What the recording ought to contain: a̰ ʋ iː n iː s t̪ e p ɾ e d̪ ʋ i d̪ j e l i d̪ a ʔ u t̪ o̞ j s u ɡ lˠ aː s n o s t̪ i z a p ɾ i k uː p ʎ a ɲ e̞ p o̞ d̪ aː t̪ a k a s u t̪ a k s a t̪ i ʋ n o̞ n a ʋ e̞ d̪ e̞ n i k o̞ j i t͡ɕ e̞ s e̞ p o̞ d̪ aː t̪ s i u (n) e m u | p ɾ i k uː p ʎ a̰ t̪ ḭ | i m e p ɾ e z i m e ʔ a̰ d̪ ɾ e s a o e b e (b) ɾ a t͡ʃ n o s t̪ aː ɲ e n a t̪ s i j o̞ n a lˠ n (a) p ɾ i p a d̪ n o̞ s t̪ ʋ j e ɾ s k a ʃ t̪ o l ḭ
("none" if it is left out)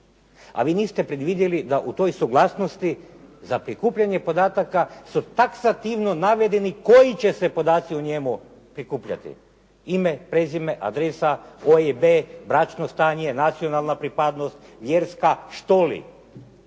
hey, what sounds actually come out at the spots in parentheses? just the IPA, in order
ɲ, b, a

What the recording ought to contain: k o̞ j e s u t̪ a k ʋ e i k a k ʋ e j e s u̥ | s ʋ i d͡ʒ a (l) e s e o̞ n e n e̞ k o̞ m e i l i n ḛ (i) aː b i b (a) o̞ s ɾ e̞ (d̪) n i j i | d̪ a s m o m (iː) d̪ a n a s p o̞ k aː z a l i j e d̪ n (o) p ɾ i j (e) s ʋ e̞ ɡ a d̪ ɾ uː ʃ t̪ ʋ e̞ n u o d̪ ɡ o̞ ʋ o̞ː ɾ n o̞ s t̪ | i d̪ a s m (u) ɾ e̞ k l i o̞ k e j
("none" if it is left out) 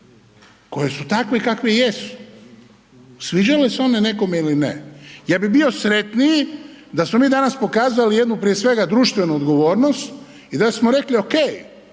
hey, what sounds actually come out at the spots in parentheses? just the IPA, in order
l, j, i, t̪, iː, u, e, o

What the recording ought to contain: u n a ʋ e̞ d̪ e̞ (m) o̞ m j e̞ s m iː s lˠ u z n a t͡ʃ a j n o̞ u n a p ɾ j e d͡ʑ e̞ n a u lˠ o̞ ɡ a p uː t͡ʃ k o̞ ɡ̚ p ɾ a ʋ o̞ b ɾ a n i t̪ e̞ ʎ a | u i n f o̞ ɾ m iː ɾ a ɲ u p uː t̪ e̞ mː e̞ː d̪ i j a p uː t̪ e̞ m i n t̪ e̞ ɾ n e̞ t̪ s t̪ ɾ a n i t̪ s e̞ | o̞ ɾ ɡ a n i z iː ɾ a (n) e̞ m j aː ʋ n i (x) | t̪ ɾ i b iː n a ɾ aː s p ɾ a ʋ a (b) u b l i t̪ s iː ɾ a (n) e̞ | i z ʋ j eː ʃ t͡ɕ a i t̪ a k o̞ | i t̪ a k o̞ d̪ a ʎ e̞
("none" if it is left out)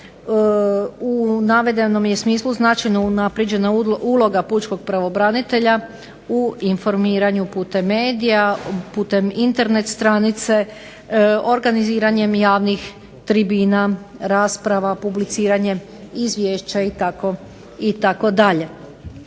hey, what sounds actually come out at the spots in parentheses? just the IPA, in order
n, ɲ, x, p, ɲ

